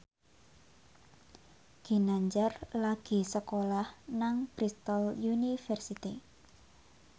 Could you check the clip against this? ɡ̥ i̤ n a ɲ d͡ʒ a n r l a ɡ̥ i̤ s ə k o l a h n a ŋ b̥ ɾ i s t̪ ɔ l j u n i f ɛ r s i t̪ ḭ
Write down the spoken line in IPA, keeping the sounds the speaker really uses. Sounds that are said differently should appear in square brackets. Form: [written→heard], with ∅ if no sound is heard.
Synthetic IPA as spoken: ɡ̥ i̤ n a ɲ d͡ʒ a [n→∅] r l a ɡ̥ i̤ s ə k o l a h n a ŋ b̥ ɾ i s t̪ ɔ l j u n i f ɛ r s i t̪ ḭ